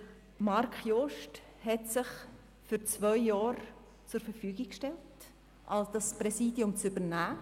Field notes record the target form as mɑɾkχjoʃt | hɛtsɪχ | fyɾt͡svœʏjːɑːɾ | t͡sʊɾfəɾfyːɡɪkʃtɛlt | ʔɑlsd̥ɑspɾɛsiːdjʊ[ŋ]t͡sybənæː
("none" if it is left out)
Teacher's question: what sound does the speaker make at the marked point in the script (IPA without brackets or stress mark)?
m